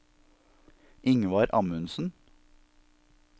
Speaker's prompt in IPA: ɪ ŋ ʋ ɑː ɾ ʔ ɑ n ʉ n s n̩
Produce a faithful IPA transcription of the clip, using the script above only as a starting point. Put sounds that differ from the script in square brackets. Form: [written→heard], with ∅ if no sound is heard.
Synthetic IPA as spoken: ɪ ŋ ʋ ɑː ɾ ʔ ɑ [n→m] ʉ n s n̩